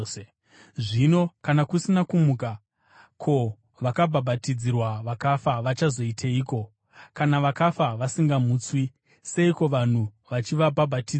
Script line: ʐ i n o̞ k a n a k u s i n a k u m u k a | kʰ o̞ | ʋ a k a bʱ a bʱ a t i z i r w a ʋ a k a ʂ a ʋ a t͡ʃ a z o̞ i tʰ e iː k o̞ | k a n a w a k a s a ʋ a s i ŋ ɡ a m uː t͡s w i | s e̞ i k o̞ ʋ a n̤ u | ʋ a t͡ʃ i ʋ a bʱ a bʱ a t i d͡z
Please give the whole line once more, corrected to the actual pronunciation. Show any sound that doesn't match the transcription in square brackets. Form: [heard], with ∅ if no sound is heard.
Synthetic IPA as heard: ʐ i n o̞ k a n a k u s i n a k u m u k a | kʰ o̞ | ʋ a k a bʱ a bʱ a t i [d͡z] i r w a ʋ a k a [f] a ʋ a t͡ʃ a z o̞ i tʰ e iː k o̞ | k a n a [ʋ] a k a [f] a ʋ a s i ŋ ɡ a m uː t͡s w i | s e̞ i k o̞ ʋ a n̤ u | ʋ a t͡ʃ i ʋ a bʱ a bʱ a t i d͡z